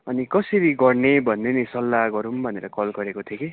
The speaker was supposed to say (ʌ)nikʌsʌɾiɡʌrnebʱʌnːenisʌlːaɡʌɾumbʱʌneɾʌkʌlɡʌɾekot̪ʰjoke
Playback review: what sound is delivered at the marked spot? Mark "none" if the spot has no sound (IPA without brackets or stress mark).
ʌ